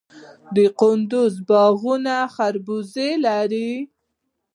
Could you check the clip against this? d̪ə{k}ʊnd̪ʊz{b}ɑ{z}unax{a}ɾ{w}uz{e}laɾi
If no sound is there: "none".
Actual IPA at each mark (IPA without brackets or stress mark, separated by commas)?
q, b, ɣ, a, b, e